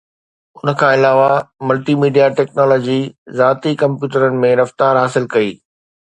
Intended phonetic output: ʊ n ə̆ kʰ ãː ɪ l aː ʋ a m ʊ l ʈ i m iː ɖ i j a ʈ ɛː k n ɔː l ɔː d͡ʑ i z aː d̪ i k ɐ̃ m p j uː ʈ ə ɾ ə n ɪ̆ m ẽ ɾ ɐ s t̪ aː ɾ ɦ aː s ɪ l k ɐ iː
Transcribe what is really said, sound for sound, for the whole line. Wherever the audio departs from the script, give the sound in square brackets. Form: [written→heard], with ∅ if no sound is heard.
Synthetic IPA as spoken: ʊ n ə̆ kʰ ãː ɪ l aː ʋ a m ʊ l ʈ i m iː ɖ i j a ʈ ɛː k n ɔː l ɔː d͡ʑ i z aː [d̪→t̪] i k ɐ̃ m p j uː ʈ ə ɾ ə n ɪ̆ m ẽ ɾ ɐ [s→f] t̪ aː ɾ ɦ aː s ɪ l k ɐ iː

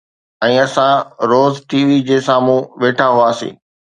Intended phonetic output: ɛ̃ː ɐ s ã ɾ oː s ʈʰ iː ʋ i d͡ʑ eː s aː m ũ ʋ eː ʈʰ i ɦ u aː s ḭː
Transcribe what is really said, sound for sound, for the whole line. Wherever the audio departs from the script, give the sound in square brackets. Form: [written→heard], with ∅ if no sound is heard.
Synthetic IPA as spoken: ɛ̃ː ɐ s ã ɾ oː [s→z] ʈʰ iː ʋ i d͡ʑ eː s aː m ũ ʋ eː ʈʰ [i→a] ɦ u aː s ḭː

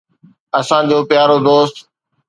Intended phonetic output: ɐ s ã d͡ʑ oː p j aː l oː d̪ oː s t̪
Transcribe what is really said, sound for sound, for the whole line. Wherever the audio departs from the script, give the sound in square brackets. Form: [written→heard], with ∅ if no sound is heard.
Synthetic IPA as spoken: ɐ s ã d͡ʑ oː p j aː [l→ɾ] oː d̪ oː s t̪

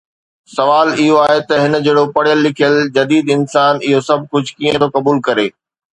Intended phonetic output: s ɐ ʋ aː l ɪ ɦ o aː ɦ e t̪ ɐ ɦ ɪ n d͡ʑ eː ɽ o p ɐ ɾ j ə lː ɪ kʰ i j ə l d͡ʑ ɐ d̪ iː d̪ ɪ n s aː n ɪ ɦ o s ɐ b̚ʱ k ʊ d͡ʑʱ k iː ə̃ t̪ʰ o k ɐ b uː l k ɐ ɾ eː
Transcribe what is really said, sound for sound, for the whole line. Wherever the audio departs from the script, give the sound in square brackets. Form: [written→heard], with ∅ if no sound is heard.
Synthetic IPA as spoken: s ɐ ʋ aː l ɪ ɦ o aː ɦ e t̪ ɐ ɦ ɪ n d͡ʑ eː ɽ o p ɐ [ɾ→ɽ] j ə lː ɪ kʰ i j ə l d͡ʑ ɐ d̪ iː d̪ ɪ n s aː n ɪ ɦ o s ɐ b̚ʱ k ʊ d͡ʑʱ k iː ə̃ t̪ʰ o k ɐ b uː l k ɐ ɾ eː

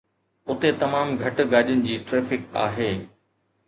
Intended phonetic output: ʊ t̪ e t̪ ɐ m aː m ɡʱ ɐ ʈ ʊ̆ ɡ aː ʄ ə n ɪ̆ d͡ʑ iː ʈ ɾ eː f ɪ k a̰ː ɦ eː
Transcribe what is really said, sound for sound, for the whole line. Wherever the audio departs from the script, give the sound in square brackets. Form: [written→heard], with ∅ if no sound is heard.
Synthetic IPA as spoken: ʊ t̪ e t̪ ɐ m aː m ɡʱ ɐ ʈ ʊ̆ ɡ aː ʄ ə n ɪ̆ d͡ʑ iː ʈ ɾ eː f ɪ k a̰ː ɦ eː

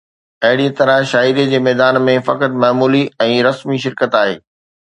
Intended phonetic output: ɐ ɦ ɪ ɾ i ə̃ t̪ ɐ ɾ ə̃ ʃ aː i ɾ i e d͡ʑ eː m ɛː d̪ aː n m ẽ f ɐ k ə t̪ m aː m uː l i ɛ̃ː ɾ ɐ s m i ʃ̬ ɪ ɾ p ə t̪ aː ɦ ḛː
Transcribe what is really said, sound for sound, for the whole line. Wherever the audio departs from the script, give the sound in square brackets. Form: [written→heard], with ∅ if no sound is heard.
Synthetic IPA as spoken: ɐ ɦ ɪ [ɾ→ɽ] i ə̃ t̪ ɐ ɾ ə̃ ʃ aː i ɾ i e d͡ʑ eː m ɛː d̪ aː n m ẽ f ɐ k ə t̪ m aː m uː l i ɛ̃ː ɾ ɐ s m i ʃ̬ ɪ ɾ [p→k] ə t̪ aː ɦ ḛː

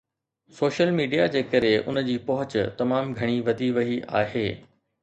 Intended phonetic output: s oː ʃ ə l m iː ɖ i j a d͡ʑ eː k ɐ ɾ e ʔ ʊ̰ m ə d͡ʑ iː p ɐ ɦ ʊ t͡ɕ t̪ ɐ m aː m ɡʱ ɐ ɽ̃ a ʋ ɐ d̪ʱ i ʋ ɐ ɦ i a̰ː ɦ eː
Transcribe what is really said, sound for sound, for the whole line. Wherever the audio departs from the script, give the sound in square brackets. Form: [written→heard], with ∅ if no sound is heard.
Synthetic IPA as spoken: s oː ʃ ə l m iː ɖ i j a d͡ʑ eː k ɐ ɾ e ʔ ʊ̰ [m→n] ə d͡ʑ iː p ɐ ɦ ʊ t͡ɕ t̪ ɐ m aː m ɡʱ ɐ ɽ̃ [a→i] ʋ ɐ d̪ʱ i ʋ ɐ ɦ i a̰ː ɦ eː

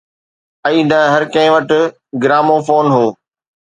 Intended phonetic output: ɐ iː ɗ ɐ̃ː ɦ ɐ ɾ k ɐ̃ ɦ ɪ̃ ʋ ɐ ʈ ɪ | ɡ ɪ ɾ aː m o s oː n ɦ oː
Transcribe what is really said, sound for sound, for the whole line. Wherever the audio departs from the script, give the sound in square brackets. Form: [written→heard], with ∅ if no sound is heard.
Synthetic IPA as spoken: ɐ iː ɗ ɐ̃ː ɦ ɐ ɾ k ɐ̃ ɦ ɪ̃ ʋ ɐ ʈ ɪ | ɡ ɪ ɾ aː m o [s→f] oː n ɦ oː

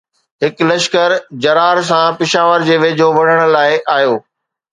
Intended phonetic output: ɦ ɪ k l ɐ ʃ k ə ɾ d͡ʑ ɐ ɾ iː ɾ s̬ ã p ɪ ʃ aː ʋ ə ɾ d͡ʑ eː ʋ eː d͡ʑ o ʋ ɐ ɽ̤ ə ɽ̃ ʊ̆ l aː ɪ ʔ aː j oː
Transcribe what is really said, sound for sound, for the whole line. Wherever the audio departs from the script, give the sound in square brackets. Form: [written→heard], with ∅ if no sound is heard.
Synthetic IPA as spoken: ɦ ɪ k l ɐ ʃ k ə ɾ d͡ʑ ɐ ɾ [iː→aː] ɾ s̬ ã p ɪ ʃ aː ʋ ə ɾ d͡ʑ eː ʋ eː d͡ʑ o ʋ ɐ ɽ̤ ə ɽ̃ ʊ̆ l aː ɪ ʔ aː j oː

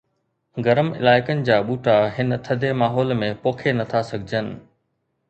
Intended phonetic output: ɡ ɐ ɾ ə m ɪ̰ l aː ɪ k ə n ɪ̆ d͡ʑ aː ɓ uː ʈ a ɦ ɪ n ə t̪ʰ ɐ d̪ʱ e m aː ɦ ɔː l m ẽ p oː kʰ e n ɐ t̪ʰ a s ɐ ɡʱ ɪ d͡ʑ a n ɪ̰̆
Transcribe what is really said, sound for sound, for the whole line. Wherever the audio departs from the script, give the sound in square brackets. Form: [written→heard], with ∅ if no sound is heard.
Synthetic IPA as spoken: ɡ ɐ ɾ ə m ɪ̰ l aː ɪ k ə n ɪ̆ d͡ʑ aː ɓ uː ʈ a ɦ ɪ n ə t̪ʰ ɐ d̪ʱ e m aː ɦ ɔː l m ẽ p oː kʰ e n ɐ t̪ʰ a s ɐ ɡʱ ɪ d͡ʑ [a→ə] n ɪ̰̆

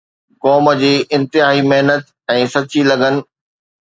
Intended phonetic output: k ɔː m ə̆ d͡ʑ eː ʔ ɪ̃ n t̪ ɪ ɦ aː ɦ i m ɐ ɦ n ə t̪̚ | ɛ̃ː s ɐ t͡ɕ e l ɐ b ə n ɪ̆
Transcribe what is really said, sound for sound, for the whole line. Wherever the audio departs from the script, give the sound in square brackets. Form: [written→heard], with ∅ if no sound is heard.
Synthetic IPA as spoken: k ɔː m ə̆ d͡ʑ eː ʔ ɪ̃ n t̪ ɪ ɦ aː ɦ i m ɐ ɦ n ə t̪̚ | ɛ̃ː s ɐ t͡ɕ [e→i] l ɐ [b→ɡ] ə n ɪ̆

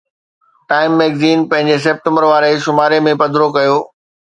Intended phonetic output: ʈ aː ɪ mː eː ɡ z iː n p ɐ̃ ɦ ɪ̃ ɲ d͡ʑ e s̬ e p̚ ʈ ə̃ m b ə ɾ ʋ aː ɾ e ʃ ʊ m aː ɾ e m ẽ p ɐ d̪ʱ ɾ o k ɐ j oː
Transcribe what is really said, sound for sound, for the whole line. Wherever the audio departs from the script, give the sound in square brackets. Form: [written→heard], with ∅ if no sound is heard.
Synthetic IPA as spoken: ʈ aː ɪ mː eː ɡ z iː n p ɐ̃ ɦ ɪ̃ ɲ d͡ʑ e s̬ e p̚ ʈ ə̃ m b ə ɾ ʋ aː ɾ e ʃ ʊ m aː ɾ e m ẽ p ɐ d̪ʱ ɾ o k ɐ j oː

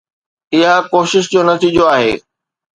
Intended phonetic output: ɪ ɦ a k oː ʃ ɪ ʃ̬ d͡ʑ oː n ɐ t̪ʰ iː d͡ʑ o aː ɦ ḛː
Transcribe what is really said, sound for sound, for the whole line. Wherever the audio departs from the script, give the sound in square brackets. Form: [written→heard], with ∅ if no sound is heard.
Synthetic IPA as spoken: ɪ ɦ a k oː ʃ ɪ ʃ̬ d͡ʑ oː n ɐ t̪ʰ iː d͡ʑ o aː ɦ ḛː

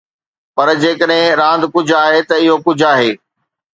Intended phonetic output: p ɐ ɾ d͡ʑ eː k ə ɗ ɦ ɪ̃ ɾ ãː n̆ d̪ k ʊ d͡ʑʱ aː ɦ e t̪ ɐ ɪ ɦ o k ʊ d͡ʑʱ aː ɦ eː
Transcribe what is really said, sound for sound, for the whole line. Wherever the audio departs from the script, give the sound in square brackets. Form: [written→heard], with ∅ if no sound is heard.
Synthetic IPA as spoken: p ɐ ɾ d͡ʑ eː k ə ɗ ɦ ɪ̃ ɾ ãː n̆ d̪ k ʊ d͡ʑʱ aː ɦ e t̪ ɐ ɪ ɦ o k ʊ d͡ʑʱ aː ɦ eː

